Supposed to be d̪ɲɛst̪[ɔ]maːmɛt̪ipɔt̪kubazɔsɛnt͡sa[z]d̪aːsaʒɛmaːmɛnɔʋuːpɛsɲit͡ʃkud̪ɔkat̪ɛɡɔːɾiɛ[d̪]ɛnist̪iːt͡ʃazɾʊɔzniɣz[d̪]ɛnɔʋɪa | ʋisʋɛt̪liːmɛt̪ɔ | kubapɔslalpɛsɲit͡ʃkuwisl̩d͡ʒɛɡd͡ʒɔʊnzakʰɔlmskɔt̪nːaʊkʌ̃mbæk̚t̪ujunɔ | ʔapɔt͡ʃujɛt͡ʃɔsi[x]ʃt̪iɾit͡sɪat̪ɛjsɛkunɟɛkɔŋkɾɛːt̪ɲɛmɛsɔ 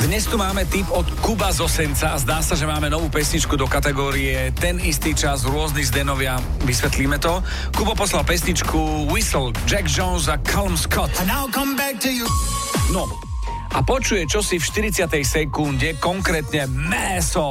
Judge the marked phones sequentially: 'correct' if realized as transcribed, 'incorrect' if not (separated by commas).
incorrect, correct, incorrect, correct, incorrect